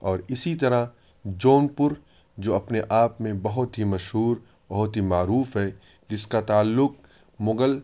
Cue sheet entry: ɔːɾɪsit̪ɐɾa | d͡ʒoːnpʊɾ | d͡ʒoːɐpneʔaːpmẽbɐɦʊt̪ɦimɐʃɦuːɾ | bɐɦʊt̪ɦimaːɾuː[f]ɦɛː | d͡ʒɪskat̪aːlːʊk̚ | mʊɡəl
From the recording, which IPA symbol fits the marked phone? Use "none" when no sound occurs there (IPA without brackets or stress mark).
f